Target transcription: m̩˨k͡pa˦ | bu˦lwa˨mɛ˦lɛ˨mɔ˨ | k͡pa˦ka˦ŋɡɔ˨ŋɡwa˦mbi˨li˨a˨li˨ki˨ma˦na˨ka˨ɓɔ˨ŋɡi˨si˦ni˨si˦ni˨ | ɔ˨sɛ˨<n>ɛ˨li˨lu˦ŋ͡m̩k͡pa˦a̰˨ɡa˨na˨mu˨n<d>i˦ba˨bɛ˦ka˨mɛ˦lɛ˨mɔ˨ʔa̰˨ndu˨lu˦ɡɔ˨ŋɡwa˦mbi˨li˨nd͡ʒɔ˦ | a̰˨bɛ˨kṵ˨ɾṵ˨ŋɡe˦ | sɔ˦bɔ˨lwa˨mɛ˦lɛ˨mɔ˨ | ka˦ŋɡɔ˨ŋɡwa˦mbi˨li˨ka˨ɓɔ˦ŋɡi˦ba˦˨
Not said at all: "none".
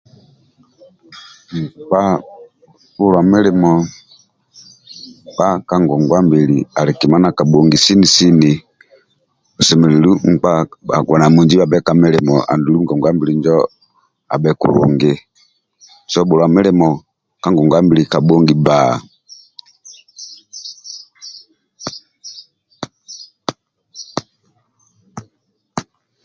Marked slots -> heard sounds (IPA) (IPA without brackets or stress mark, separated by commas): m, d͡ʒ